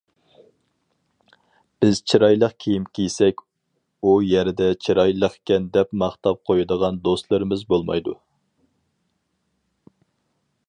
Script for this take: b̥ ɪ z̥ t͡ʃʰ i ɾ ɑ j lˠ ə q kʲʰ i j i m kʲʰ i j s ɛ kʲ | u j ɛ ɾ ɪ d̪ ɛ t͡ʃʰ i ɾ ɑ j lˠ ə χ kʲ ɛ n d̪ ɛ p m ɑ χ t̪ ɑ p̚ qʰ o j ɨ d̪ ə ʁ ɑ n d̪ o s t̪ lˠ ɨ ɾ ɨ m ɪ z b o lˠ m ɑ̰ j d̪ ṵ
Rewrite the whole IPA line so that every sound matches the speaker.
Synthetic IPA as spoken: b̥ ɪ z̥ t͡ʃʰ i ɾ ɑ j lˠ ə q kʲʰ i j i m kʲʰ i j s ɛ kʲ | u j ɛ ɾ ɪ d̪ ɛ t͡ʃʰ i ɾ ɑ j lˠ ə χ kʲ ɛ n d̪ ɛ p m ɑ χ t̪ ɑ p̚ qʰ o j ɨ d̪ ə ʁ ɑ n d̪ o s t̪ lˠ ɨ ɾ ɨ m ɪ z b o lˠ m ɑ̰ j d̪ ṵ